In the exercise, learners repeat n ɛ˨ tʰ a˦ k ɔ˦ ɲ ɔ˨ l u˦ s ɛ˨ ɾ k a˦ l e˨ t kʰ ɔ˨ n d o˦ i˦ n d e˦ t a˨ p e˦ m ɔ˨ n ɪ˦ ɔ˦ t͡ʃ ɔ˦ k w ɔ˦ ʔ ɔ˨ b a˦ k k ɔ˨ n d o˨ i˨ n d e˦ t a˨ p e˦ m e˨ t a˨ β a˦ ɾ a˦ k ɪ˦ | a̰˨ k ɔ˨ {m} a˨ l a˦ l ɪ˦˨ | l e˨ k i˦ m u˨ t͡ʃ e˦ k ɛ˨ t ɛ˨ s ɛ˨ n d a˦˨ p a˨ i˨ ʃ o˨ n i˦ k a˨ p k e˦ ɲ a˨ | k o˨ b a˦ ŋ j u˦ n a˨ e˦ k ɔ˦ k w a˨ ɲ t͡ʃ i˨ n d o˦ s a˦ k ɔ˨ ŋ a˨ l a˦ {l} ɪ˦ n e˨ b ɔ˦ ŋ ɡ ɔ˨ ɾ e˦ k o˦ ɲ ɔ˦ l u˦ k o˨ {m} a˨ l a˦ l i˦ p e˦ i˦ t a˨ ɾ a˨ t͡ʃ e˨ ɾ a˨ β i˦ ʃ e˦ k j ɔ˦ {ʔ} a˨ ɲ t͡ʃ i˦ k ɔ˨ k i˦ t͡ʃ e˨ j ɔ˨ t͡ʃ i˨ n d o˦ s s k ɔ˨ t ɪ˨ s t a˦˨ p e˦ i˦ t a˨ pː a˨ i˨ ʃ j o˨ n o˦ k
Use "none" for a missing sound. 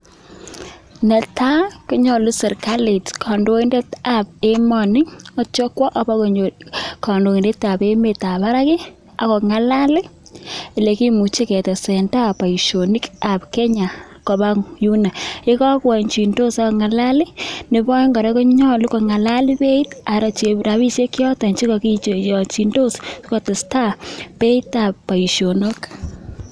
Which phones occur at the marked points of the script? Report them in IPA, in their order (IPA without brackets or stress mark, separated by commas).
ŋ, l, ŋ, t